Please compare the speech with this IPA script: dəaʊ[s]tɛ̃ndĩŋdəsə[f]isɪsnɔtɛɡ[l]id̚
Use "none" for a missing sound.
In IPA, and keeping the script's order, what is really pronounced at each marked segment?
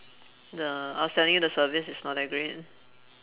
s, v, ɹ

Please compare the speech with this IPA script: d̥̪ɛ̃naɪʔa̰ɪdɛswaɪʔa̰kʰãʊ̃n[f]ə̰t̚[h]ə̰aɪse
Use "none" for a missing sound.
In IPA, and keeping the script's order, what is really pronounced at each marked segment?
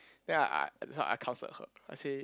s, h

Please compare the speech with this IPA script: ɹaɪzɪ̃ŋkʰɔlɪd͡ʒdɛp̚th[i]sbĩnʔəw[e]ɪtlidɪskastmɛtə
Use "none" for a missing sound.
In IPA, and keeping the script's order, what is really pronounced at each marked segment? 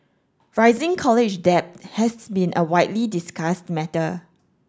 ɛ, a

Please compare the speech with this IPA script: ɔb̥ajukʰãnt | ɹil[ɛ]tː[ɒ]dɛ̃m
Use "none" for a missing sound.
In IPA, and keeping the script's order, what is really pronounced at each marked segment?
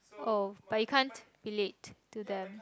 e, u

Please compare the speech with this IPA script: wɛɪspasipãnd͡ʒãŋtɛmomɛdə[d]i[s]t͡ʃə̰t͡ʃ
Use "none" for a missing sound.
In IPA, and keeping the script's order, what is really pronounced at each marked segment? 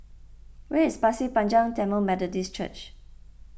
d, s

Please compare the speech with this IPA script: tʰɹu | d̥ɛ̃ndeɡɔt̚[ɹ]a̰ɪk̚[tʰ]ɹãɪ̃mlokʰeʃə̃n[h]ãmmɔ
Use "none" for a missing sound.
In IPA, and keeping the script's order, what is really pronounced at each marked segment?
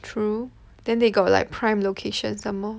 l, pʰ, s

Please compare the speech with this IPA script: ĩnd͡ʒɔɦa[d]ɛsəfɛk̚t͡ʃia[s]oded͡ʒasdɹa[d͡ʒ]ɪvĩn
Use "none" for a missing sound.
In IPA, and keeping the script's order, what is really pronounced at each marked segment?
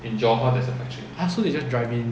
d, s, none

